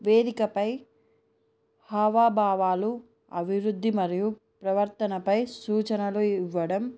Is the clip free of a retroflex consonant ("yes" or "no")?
no